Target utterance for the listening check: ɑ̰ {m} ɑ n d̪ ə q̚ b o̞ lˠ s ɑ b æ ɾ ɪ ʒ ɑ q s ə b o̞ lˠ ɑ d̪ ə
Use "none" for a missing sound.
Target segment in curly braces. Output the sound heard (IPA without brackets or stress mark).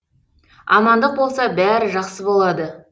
m